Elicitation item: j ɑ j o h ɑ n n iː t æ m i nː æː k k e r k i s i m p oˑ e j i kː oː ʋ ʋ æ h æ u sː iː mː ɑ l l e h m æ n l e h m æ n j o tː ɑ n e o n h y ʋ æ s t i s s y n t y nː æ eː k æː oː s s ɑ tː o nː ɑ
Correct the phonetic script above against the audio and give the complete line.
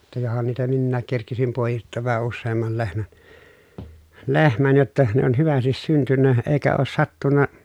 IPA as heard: j ɑ j o h ɑ n n iː t æ m i nː æː k k e r k i s i m p oˑ e j i tː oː ʋ ʋ æ h æ u sː eː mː ɑ l l e h m æ n l e h m æ n j o tː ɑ n e o n h y ʋ æ s t i s s y n t y nː æ eː k æ oː s s ɑ tː u nː ɑ

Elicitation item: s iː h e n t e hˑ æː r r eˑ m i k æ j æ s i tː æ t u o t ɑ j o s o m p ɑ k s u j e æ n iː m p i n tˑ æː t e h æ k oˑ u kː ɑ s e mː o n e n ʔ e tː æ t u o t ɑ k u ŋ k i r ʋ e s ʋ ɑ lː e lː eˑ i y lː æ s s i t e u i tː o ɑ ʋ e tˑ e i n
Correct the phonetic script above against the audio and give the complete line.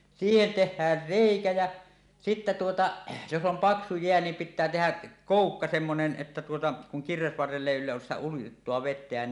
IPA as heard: s iː h e n t e hˑ æː r r eˑ i k æ j æ s i tː æ t u o t ɑ j o s o m p ɑ k s u j e æ n iː m p i tˑ æː t e h æ k oˑ u kː ɑ s e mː o n e n ʔ e tː æ t u o t ɑ k u ŋ k i r ʋ e s ʋ ɑ rː e lː eˑ i y lː æ s s i t æ u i tː o ɑ ʋ e tˑ e æ n

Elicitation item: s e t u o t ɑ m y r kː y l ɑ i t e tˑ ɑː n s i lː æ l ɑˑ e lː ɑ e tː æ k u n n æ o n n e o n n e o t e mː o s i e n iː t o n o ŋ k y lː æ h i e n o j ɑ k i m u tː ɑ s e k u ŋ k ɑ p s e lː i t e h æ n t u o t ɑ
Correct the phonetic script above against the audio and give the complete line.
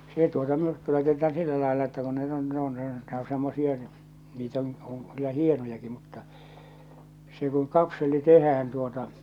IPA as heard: s e t u o t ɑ m y r kː y l ɑ i t e tˑ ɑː n s i lː æ l ɑˑ e lː ɑ e tː æ k u n n e o n n e o n n e o s e mː o s i e n iː t o n o ŋ k y lː æ h i e n o j ɑ k i m u tː ɑ s e k u ŋ k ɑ p s e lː i t e h æː n t u o t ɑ

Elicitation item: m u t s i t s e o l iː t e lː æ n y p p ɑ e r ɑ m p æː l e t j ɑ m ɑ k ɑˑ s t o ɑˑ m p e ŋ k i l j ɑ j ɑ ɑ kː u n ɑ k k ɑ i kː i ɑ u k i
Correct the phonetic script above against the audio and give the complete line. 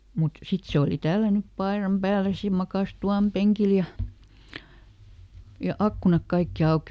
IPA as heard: m u t s i t s e o l i t æ lː æ n y p p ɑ e r ɑ m p æː l e s j ɑ m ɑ k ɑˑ s t u ɑˑ m p e ŋ k i l j ɑ j ɑ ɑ kː u n ɑ k k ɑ i kː i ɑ u k i

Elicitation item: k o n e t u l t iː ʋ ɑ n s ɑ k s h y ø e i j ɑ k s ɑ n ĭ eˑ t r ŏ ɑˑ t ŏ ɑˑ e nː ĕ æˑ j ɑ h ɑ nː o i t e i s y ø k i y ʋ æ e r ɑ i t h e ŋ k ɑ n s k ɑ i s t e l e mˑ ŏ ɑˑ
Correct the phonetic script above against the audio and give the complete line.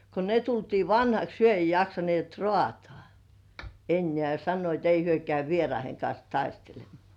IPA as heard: k o n e t u l t iː ʋ ɑ n h ɑ k s h y ø e i j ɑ k s ɑ n ĭ eˑ t r ŏ ɑˑ t ŏ ɑˑ e nː ĕ æˑ j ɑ s ɑ nː o i t e i h y ø k æ y ʋ i e r ɑ i h e ŋ k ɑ n s t ɑ i s t e l e mˑ ŏ ɑˑ

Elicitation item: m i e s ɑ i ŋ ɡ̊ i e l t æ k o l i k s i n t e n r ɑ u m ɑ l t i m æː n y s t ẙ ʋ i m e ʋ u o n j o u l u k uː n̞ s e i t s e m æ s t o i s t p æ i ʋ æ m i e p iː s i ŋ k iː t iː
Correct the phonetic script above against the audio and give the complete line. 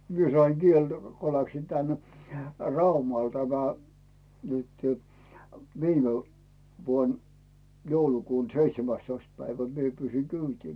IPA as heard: m i e s ɑ i ŋ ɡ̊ i e l t æ k o l æ k s i n t æ n r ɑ u m ɑ l t æ m æ n y t ẙ ʋ iː m e ʋ u o n j o u l u k uː n̞ s e i t s e m æ s t o i s t p æ i ʋ æ m i e p yː s i ŋ k yː t iː

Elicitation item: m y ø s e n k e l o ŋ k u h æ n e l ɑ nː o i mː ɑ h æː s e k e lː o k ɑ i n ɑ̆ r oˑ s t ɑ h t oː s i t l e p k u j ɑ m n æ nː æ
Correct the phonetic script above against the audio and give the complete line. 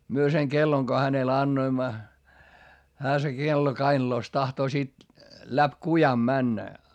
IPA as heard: m y ø s e ŋ k e lː o ŋ k o h æ n e l ɑ nː o i mː ɑ h æː s e k e lː o k ɑ i n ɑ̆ l oˑ s t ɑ h t oː s i t l æ p k u j ɑ m m æ nː æ

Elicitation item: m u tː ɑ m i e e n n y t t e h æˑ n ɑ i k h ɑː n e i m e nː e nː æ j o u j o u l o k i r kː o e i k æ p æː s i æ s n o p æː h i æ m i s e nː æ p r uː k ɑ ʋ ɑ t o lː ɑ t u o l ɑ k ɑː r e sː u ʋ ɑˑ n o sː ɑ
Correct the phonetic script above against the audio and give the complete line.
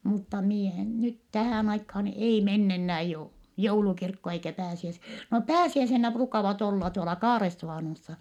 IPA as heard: m u tː ɑ m i e e n n y t t æ h æˑ n ɑ i k h ɑː n e i m e nː e nː æː j o u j o u l u k i r kː o e i k æ p æː s i æ s n o p æː s i æ i s e nː æ p r uː k ɑ ʋ ɑ t o lː ɑ t u o l ɑ k ɑː r e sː u ʋ ɑˑ n o sː ɑ

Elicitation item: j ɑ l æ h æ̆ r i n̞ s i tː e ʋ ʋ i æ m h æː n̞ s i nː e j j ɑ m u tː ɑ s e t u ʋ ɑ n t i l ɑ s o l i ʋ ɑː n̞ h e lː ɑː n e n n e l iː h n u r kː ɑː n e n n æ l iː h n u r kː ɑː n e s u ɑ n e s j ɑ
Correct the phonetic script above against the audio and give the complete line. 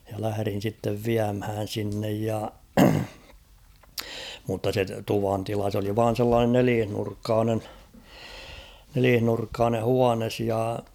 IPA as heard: j ɑ l æ h æ̆ r i n̞ s i tː e ʋ ʋ i æ m h æː n̞ s i nː e j j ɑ m u tː ɑ s e t u ʋ ɑ n t i l ɑ s o l i ʋ ɑː n̞ s e lː ɑː n e n n e l iː h n u r kː ɑː n e n n e l iː h n u r kː ɑː n e h u ɑ n e s j ɑ

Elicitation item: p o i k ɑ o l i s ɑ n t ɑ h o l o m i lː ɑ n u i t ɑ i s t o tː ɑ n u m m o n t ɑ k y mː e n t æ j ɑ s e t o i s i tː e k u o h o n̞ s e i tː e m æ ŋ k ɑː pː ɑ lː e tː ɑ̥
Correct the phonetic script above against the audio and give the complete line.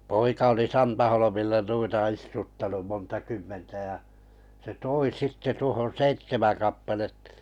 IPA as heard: p o i k ɑ o l i s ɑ n t ɑ h o l o m i lː ɑ n u i t ɑ i s t u tː ɑ n u m m o n t ɑ k y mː e n t æ j ɑ s e t o i s i tː e t u o h o n̞ s e i tː e m æ ŋ k ɑ pː ɑ l e tː ɑ̥

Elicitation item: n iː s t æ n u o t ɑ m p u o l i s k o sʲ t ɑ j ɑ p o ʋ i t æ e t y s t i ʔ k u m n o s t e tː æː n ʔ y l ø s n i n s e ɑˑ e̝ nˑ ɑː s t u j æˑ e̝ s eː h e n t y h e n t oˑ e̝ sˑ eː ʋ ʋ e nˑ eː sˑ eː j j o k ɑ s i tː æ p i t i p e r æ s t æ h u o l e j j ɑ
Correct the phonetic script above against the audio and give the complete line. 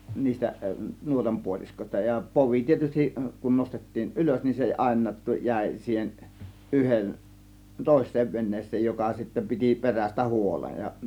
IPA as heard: n iː s t æ n u o t ɑ m p u o l i s k o sʲ t ɑ j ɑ p o ʋ i t i e t y s t i ʔ k u n n o s t e tː iː n ʔ y l ø s n i n s e ɑˑ e̝ nˑ ɑː t t u j æˑ e̝ s iː h e n ʔ y h e n t oˑ e̝ sˑ eː ʋ ʋ e nˑ eː sˑ eː j j o k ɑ s i tː æ p i t i p e r æ s t æ h u o l e j j ɑ

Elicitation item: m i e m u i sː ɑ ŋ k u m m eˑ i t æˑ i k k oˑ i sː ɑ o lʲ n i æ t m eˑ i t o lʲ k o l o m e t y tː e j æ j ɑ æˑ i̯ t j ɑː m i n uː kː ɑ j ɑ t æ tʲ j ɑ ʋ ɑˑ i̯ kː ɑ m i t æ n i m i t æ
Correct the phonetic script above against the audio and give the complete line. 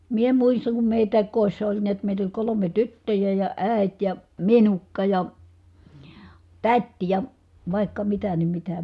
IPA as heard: m i e m u i sː ɑ ŋ k u m m eˑ i t æˑ i k k oˑ i sː ɑ o lʲ n i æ t m eˑ i t o lʲ k o l o m e t y tː ø j æ j ɑ æˑ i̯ t j ɑ m i n u kː ɑ j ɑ t æ tʲ j ɑ ʋ ɑˑ i̯ kː ɑ m i t æ n i m i t æ

